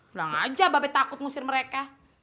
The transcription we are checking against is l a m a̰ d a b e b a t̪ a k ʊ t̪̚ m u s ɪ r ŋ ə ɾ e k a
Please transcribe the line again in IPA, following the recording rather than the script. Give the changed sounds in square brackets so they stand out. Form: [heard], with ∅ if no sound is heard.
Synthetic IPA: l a [ŋ] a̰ [d͡ʒ] a b [a] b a t̪ a k ʊ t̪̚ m u s ɪ r [m] ə ɾ e k a

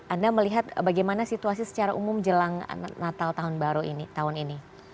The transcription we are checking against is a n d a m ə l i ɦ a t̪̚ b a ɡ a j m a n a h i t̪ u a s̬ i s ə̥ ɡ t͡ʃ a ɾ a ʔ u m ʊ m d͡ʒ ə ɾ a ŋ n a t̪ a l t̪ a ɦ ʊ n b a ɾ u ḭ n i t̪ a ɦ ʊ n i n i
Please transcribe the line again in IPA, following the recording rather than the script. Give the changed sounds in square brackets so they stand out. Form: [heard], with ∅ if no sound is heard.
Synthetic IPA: a n d a m ə l i ɦ a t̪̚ b a ɡ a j m a n a [s] i t̪ u a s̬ i s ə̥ [∅] t͡ʃ a ɾ a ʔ u m ʊ m d͡ʒ ə [l] a ŋ n a t̪ a l t̪ a ɦ ʊ n b a ɾ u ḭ n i t̪ a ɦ ʊ n i n i

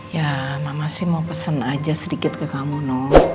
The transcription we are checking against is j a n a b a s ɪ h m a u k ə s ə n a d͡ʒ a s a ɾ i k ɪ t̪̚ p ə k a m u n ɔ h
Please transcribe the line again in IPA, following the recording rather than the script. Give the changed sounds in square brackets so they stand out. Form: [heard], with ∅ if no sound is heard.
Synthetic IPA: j a [m] a [m] a s ɪ h m a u [p] ə s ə n a d͡ʒ a s [ə] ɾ i k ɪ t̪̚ [k] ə k a m u n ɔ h

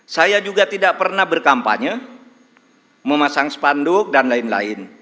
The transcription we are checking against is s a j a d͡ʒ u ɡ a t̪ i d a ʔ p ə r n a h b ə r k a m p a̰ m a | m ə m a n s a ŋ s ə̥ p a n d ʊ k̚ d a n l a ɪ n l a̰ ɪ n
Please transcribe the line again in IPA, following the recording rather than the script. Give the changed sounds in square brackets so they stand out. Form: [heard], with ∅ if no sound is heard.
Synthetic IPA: s a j a d͡ʒ u ɡ a t̪ i d a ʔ p ə r n a h b ə r k a m p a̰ [ɲ] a | m ə m a [∅] s a ŋ s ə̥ p a n d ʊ k̚ d a n l a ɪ n l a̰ ɪ n

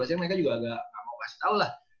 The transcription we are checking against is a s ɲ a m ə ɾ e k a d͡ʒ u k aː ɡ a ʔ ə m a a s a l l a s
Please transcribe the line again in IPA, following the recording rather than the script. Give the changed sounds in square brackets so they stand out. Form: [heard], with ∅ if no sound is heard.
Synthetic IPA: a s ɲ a m ə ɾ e k a d͡ʒ u [ɡ] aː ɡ a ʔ [a] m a a s a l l a [h]

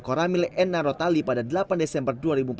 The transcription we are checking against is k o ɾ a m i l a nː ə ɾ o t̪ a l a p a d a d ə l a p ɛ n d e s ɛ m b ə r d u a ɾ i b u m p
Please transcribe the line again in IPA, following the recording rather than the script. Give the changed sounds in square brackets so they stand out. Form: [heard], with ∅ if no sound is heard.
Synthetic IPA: k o ɾ a m i l [ɛ] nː [a] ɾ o t̪ a l [i] p a d a d ə l a p [a] n d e s ɛ m b ə r d u a ɾ i b u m p

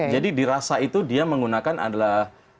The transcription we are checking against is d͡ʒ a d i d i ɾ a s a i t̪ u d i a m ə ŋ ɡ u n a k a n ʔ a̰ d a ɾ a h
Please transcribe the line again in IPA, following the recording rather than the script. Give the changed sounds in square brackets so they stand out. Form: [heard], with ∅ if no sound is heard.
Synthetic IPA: d͡ʒ a d i d i ɾ a s a i t̪ u d i a m ə ŋ ɡ u n a k a n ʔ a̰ d a [l] a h

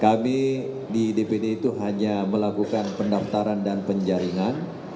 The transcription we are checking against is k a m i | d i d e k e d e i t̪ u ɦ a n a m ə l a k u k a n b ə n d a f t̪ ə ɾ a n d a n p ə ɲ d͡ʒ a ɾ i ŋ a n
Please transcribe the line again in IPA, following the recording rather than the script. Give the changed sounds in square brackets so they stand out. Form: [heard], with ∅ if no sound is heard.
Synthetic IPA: k a m i | d i d e [p] e d e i t̪ u ɦ a [ɲ] a m ə l a k u k a n [p] ə n d a f t̪ [a] ɾ a n d a n p ə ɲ d͡ʒ a ɾ i ŋ a n

